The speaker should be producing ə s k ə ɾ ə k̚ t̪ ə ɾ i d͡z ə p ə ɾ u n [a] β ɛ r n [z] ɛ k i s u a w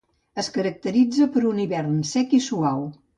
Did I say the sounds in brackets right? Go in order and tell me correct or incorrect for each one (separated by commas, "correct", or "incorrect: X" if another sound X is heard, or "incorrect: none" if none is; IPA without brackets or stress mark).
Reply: incorrect: i, incorrect: s